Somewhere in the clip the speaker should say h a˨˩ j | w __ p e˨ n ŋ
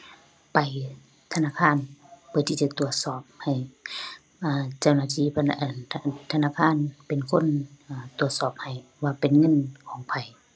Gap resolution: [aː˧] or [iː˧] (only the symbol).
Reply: aː˧